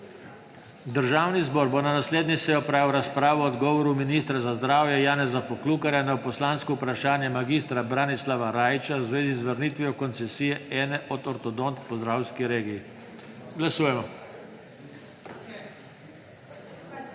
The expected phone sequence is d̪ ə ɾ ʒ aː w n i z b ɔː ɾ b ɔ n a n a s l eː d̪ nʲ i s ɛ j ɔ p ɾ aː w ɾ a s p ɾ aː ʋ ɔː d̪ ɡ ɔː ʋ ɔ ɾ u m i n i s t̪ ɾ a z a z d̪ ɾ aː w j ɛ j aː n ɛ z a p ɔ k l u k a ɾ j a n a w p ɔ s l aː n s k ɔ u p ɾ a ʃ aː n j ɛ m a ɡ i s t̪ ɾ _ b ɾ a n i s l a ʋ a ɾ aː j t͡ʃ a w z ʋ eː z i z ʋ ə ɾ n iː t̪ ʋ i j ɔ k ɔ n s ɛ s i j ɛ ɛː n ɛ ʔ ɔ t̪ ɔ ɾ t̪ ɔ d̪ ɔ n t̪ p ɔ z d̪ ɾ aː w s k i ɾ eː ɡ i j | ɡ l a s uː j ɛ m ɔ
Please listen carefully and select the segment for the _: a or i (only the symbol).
a